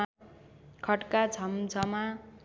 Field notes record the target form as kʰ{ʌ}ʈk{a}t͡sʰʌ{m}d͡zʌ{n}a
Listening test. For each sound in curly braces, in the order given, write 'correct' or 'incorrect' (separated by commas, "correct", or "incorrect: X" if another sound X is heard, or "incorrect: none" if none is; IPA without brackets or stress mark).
correct, correct, correct, incorrect: m